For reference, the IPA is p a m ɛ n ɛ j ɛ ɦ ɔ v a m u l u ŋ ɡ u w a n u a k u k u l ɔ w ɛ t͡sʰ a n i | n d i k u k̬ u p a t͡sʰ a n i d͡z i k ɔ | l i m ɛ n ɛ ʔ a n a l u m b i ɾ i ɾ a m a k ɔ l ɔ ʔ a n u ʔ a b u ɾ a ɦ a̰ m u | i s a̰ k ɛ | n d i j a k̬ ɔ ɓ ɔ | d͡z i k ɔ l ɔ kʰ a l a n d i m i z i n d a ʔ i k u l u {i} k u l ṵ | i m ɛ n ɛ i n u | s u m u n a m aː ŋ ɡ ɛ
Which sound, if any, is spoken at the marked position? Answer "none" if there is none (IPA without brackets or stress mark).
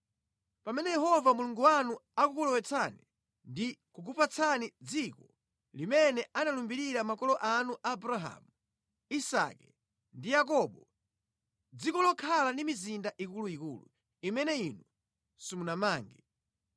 i